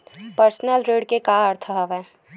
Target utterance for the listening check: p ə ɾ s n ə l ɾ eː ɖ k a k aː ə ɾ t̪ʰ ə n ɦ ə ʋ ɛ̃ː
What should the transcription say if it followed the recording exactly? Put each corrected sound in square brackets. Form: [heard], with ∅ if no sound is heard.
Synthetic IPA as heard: p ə ɾ s n ə l ɾ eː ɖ k [e] k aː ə ɾ t̪ʰ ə [∅] ɦ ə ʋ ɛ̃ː